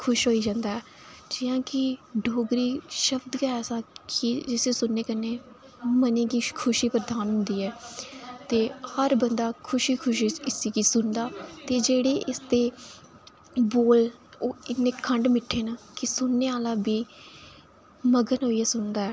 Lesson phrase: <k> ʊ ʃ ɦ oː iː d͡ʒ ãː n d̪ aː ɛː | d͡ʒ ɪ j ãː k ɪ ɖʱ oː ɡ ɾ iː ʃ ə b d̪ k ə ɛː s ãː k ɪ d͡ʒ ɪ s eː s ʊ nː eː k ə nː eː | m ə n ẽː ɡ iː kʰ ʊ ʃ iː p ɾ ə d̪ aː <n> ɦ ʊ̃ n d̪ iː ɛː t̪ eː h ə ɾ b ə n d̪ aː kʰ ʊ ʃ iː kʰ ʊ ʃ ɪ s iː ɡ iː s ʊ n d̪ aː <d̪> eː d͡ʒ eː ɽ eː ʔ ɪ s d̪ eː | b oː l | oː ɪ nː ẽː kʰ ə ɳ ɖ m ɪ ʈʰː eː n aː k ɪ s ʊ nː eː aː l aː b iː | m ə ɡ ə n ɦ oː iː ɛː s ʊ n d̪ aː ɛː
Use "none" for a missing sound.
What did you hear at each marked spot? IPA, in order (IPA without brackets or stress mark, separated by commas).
kʰ, n, t̪